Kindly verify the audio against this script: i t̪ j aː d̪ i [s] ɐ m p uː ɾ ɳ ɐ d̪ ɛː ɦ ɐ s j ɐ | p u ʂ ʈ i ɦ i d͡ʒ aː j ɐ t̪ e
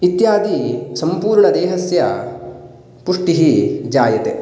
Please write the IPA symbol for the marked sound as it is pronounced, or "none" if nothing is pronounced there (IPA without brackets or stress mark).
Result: s